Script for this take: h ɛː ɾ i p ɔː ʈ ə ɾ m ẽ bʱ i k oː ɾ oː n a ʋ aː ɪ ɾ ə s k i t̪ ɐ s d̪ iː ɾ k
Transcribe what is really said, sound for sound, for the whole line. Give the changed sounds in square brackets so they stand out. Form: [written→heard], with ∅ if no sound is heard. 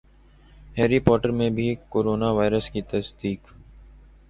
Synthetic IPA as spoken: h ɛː ɾ i p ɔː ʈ ə ɾ m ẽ bʱ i k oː ɾ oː n a ʋ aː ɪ ɾ ə s k i t̪ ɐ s d̪ iː [ɾ→∅] k